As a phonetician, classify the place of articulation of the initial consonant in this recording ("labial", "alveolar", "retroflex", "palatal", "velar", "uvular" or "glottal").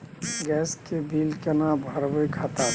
velar